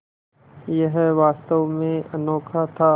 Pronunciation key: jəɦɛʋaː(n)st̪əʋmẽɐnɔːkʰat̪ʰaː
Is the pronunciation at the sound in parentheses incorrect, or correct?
incorrect